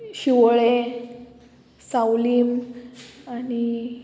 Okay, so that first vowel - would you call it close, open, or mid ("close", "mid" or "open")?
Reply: close